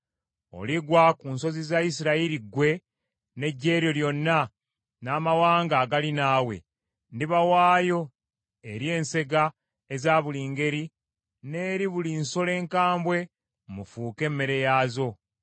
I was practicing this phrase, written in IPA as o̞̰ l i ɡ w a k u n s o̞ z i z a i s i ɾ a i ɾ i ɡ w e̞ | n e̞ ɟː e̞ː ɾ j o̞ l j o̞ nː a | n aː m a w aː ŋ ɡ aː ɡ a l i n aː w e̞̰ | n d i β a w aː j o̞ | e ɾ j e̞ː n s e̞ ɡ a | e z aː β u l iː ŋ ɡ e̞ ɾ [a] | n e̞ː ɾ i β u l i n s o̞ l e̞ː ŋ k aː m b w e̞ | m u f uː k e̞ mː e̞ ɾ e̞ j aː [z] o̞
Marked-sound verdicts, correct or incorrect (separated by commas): incorrect, correct